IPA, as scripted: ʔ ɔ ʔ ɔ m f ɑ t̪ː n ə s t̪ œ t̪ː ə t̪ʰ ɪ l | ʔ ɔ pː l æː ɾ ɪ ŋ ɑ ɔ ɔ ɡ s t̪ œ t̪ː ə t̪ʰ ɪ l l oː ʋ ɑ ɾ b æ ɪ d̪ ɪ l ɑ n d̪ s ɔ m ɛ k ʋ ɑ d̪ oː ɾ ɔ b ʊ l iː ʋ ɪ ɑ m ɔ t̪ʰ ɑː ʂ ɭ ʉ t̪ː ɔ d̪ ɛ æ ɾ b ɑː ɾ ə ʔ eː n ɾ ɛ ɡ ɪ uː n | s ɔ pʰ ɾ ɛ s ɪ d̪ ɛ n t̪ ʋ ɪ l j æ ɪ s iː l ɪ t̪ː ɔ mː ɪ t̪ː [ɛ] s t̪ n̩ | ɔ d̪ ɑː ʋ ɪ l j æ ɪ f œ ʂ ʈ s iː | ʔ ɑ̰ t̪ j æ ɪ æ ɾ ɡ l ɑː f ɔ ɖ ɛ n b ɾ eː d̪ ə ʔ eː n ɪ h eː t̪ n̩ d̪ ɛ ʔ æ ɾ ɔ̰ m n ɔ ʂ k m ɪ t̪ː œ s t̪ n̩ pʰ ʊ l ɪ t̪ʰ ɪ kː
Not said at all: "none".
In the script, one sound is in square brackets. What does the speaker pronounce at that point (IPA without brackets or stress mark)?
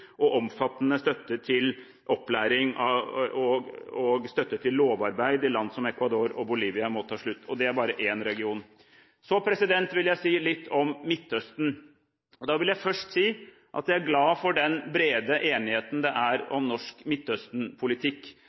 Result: œ